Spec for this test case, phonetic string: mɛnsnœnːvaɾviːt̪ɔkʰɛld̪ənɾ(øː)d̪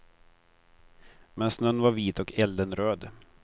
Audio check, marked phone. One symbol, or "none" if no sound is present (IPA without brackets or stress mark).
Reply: øː